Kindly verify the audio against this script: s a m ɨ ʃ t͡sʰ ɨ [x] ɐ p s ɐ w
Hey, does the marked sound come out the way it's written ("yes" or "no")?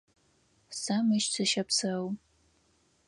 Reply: no